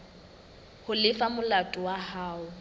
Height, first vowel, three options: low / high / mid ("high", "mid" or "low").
high